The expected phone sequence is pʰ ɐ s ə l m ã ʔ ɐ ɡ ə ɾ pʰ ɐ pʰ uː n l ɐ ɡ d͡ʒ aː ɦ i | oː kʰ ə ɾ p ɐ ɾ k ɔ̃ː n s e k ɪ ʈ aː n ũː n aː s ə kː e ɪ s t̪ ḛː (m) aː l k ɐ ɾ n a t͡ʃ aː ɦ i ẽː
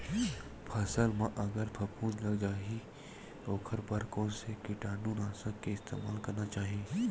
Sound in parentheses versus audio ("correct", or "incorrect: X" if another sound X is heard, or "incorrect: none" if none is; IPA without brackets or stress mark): correct